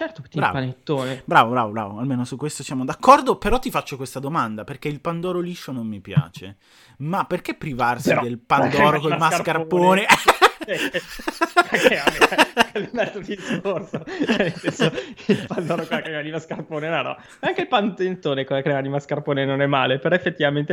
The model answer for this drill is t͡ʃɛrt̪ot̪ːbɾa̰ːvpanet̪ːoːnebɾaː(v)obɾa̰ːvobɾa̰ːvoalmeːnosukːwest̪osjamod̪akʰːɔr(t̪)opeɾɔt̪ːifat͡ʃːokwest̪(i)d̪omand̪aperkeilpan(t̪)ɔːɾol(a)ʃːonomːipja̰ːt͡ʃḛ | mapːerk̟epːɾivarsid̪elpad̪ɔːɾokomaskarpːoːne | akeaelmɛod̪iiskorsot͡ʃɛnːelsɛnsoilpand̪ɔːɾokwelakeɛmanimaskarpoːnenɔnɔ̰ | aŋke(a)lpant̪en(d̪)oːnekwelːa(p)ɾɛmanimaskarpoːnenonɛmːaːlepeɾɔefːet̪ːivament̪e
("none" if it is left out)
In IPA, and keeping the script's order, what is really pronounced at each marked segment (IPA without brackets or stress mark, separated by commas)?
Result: v, d̪, a, d̪, i, i, t̪, k